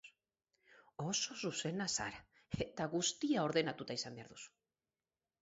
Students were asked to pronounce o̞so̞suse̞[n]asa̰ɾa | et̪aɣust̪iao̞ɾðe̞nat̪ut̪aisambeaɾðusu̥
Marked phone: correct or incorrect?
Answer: correct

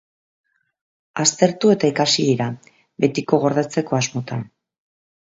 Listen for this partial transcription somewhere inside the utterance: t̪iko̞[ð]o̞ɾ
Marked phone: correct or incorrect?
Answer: incorrect: ɣ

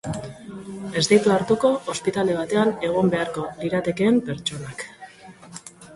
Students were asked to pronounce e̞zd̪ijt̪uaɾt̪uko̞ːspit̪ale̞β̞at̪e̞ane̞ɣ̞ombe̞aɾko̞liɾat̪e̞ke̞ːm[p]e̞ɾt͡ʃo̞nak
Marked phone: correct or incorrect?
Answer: correct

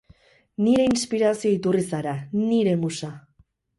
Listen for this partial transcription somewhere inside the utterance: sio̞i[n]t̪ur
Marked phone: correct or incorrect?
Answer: incorrect: none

